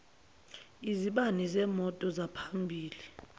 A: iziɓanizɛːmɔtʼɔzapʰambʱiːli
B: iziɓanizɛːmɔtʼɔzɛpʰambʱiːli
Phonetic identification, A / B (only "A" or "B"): A